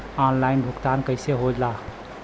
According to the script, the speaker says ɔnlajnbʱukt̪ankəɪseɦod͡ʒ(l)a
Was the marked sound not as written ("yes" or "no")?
no